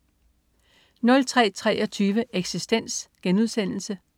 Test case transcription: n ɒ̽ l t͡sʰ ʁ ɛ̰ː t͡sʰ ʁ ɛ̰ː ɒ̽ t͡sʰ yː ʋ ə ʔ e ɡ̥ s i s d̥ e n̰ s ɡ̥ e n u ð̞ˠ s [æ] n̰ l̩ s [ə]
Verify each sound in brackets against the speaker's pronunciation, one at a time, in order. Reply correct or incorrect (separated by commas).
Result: incorrect, correct